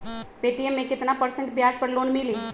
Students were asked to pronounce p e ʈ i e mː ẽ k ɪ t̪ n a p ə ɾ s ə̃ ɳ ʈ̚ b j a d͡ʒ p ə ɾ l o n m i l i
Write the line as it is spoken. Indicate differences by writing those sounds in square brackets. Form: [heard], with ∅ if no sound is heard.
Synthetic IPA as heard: p e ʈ i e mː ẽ k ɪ t̪ n a p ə ɾ s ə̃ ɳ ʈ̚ b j a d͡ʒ p ə ɾ l o n m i l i